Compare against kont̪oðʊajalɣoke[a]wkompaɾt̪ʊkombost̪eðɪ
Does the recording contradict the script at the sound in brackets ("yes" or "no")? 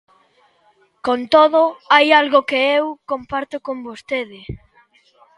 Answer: yes